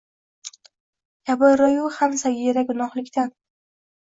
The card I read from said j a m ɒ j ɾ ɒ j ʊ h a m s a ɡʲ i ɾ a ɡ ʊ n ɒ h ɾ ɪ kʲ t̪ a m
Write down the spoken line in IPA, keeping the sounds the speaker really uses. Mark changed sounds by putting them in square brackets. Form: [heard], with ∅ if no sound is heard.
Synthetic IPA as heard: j a [b] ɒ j ɾ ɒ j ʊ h a m s a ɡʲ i ɾ a ɡ ʊ n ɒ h [l] ɪ kʲ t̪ a [n]